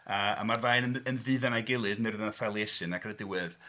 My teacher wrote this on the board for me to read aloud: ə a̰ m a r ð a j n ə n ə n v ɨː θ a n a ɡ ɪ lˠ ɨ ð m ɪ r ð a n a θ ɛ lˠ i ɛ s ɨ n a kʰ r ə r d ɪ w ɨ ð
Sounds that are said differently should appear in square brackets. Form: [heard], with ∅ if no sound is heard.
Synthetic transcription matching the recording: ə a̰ m a r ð a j n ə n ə n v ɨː [ð] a n a ɡ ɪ lˠ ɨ ð m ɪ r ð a n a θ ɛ lˠ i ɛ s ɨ n a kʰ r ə [∅] d ɪ w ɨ ð